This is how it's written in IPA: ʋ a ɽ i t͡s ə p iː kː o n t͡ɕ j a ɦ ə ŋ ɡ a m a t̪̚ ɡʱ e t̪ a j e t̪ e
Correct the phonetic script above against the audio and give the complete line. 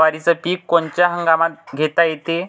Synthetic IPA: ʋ a ɾ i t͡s ə p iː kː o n t͡ɕ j a ɦ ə ŋ ɡ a m a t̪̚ ɡʱ e t̪ a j e t̪ e